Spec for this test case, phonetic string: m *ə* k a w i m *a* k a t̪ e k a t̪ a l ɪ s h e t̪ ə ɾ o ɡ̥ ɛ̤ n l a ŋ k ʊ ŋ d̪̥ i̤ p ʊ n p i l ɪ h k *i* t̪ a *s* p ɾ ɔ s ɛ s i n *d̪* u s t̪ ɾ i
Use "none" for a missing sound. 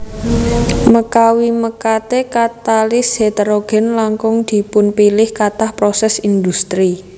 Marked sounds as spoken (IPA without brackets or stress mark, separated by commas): ə, ə, a, h, d̪